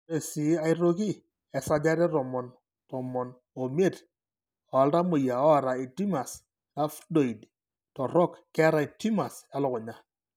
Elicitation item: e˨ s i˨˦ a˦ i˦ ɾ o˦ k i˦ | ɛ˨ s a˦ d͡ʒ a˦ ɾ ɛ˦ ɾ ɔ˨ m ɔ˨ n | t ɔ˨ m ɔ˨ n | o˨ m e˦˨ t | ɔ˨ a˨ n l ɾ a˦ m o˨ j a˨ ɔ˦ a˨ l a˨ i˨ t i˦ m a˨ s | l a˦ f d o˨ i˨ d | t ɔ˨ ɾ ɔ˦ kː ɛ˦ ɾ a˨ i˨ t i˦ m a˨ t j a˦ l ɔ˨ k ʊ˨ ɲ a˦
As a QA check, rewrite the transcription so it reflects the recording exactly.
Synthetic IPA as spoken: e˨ s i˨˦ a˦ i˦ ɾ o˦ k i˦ | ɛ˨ s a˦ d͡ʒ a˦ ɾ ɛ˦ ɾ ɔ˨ m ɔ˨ n | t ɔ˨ m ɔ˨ n | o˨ m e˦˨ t | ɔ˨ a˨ l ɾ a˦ m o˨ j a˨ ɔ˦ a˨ ɾ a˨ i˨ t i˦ m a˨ s | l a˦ f d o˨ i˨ d | t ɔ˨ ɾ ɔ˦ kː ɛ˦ ɾ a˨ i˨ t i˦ m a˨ s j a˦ l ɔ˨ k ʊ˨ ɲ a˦